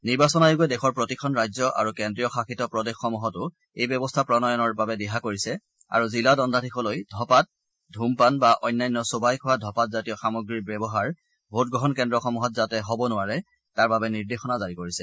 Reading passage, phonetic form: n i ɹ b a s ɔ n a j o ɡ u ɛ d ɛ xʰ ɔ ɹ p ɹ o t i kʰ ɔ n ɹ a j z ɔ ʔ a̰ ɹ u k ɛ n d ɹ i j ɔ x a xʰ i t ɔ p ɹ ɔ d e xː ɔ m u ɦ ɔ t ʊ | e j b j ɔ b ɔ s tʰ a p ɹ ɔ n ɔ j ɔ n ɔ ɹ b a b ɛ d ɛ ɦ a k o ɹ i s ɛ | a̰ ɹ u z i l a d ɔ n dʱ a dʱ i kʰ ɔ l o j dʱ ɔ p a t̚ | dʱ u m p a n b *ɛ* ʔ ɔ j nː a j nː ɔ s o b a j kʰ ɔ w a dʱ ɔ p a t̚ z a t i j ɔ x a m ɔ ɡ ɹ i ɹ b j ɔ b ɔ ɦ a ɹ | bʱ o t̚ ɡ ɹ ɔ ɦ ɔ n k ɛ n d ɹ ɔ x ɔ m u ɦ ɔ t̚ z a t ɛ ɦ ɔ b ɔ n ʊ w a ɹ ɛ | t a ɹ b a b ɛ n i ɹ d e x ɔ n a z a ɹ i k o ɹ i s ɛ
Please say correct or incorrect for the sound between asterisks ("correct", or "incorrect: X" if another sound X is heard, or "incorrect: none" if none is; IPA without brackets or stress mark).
incorrect: a